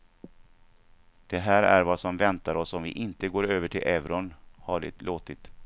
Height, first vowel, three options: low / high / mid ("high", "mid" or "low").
mid